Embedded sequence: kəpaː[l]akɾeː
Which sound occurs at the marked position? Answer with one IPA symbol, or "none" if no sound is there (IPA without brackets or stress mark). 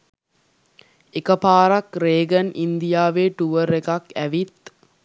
ɾ